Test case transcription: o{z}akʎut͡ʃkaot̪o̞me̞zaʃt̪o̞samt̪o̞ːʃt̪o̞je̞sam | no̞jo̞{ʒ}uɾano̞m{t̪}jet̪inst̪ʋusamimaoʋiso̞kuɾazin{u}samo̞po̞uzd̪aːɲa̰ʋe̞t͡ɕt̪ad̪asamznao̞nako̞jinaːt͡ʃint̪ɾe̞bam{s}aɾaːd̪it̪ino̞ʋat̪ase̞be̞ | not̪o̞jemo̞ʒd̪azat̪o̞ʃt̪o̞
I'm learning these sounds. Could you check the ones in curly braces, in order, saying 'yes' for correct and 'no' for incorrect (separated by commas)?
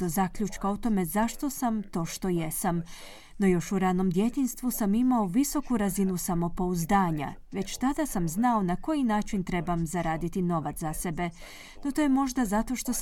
yes, no, no, yes, no